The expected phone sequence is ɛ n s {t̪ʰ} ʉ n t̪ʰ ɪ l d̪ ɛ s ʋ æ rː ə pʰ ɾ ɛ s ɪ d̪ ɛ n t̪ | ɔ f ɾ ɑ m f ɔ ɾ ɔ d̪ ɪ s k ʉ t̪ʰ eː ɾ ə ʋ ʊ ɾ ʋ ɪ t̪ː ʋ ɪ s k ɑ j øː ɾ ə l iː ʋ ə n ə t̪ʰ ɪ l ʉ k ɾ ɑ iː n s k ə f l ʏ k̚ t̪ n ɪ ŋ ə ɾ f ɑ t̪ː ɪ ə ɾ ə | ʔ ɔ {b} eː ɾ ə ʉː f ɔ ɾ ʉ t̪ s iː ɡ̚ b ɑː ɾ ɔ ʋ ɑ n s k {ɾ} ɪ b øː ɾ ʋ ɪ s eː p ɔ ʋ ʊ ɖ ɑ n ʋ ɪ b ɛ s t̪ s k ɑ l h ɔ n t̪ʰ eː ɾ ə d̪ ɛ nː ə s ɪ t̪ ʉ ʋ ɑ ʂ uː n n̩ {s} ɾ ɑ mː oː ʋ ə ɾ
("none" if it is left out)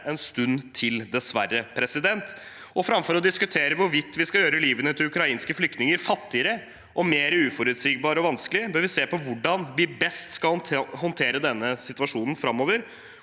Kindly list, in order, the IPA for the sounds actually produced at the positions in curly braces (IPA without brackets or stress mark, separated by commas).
t̪, m, l, f